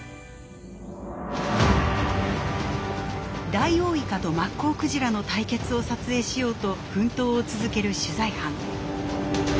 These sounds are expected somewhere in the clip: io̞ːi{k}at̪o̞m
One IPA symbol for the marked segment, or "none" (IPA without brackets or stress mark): k